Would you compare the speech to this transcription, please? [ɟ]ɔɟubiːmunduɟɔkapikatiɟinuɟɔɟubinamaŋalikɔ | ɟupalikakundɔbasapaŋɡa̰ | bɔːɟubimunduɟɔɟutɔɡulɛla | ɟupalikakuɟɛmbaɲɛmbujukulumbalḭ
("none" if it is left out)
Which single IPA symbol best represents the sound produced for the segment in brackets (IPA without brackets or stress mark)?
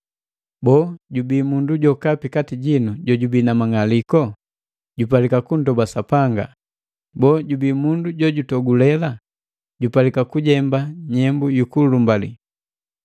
b